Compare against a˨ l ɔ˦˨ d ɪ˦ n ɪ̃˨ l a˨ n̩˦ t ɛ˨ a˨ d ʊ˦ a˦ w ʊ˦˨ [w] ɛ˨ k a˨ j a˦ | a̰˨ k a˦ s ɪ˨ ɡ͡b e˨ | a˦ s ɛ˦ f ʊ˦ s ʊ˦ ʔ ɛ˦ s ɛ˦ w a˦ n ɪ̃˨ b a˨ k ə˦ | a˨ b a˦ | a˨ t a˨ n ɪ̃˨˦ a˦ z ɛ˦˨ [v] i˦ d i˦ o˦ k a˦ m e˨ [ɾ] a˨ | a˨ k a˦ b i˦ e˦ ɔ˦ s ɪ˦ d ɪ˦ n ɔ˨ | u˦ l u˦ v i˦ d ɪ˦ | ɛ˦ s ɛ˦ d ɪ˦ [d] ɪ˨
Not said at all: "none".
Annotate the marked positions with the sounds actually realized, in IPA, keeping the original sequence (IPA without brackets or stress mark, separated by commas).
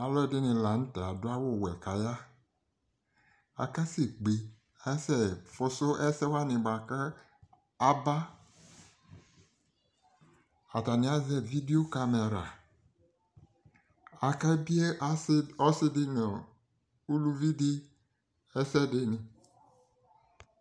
w, v, ɾ, n